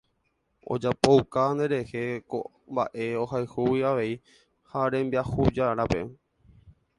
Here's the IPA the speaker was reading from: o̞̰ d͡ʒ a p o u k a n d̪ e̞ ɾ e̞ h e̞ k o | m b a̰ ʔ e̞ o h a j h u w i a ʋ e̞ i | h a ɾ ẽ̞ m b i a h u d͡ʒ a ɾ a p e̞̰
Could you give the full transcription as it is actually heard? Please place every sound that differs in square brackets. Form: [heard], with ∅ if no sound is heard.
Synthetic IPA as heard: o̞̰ d͡ʒ a p o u k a n d̪ e̞ ɾ e̞ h e̞ k o | m b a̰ ʔ e̞ o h a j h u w i a ʋ e̞ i | h a ɾ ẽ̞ m b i a h u d͡ʒ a ɾ a p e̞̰